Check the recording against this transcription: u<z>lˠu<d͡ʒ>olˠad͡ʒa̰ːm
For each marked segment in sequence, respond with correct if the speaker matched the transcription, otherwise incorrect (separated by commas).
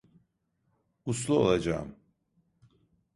incorrect, incorrect